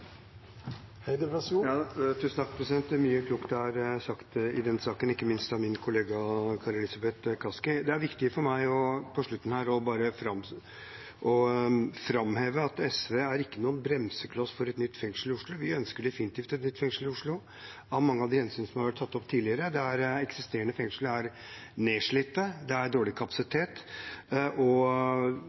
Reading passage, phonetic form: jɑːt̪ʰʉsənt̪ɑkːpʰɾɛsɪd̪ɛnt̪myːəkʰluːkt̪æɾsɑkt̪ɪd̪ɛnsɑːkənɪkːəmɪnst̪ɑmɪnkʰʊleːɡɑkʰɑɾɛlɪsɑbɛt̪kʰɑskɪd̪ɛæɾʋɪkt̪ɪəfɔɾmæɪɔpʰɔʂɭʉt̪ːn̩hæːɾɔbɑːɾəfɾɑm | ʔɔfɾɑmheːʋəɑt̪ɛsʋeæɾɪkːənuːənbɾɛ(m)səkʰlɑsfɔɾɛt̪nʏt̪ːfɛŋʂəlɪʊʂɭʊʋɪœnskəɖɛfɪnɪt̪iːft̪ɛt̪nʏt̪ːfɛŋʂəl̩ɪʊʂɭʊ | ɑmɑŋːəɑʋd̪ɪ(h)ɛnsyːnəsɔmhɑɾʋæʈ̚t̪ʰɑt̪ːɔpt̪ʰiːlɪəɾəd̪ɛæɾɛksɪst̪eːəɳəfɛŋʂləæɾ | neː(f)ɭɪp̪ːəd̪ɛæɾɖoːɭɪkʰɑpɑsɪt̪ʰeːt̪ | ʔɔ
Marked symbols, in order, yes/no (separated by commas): yes, yes, no